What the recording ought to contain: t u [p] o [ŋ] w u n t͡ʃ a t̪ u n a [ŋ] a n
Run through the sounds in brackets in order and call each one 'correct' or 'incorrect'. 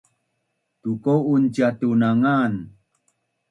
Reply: incorrect: k, incorrect: none, correct

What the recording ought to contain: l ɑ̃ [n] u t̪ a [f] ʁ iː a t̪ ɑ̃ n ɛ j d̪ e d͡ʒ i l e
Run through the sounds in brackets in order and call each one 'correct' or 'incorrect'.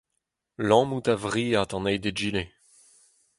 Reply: incorrect: m, incorrect: v

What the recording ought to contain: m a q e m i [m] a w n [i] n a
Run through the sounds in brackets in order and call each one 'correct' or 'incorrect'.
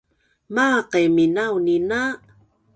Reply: incorrect: n, correct

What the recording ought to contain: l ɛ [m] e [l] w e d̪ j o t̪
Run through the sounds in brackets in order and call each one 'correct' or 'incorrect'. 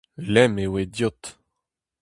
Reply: correct, incorrect: none

